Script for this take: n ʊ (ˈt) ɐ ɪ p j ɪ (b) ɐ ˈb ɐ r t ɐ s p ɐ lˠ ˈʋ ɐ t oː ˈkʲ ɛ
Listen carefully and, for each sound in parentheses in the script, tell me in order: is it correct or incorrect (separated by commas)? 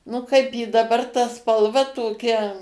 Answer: incorrect, incorrect